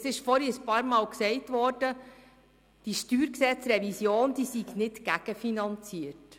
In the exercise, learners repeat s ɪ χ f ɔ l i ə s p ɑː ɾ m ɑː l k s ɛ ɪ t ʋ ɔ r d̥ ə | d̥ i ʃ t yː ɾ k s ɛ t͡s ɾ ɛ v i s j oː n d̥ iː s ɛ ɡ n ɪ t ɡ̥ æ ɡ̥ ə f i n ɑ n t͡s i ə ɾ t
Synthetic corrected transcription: s ɪ ʃ f ɔ ɾ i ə s p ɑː ɾ m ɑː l k s ɛ ɪ t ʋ ɔ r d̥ ə | d̥ i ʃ t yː ɾ k s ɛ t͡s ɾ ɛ v i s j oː n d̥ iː s i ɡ n ɪ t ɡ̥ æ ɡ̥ ə f i n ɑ n t͡s i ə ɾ t

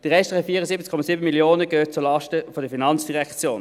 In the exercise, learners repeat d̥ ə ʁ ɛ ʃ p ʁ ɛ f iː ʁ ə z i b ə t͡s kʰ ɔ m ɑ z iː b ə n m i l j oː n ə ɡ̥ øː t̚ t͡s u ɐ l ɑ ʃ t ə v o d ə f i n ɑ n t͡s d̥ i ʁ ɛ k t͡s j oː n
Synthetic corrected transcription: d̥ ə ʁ ɛ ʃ t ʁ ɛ f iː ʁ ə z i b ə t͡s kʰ ɔ m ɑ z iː b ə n m i l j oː n ə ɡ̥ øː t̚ t͡s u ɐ l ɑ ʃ t ə f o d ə f i n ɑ n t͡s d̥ i ʁ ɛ k t͡s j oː n

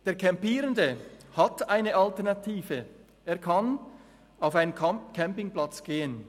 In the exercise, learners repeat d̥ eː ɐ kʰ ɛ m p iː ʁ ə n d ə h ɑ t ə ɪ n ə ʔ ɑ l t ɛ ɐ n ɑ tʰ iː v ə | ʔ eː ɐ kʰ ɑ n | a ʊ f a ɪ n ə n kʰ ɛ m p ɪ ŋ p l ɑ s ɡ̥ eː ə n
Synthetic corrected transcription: d̥ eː ɐ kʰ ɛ m p iː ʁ ə n d ə h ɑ t a ɪ n ə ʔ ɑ l t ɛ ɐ n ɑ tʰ iː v ə | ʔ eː ɐ kʰ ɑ n | a ʊ f a ɪ n ə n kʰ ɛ m p ɪ ŋ p l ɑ t͡s ɡ̥ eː ə n

